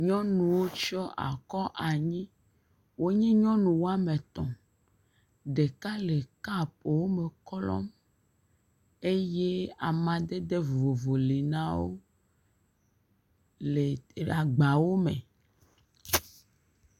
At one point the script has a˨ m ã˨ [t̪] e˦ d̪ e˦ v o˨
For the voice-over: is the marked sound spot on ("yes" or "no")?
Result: no